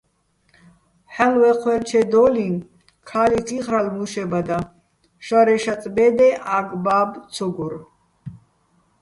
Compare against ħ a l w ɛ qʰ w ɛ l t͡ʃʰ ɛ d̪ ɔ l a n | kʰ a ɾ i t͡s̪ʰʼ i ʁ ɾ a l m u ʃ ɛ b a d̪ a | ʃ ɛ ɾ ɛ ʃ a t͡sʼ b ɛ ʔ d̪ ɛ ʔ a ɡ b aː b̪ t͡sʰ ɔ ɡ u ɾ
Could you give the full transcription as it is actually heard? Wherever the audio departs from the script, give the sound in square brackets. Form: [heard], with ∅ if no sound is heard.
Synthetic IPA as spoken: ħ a l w ɛ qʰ w ɛ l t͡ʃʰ ɛ d̪ ɔ l [i] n | kʰ a [l] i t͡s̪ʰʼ i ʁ ɾ a l m u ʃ ɛ b a d̪ a | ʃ [a] ɾ ɛ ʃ a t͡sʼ b ɛ [∅] d̪ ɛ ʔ a ɡ b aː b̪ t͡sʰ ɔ ɡ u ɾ